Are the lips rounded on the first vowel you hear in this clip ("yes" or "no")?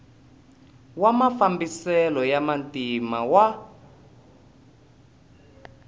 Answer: no